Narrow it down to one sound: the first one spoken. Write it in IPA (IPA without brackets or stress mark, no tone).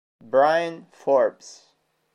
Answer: b